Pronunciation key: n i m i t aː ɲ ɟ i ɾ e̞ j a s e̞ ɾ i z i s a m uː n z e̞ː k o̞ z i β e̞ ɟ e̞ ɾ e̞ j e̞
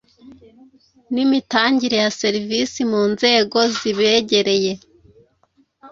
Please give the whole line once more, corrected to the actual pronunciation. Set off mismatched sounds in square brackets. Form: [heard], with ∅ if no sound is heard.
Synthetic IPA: n i m i t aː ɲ ɟ i ɾ e̞ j a s e̞ ɾ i [v] i s [i] m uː n z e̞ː [ɡ] o̞ z i β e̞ ɟ e̞ ɾ e̞ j e̞